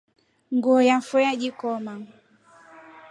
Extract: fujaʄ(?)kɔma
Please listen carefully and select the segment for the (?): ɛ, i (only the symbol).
i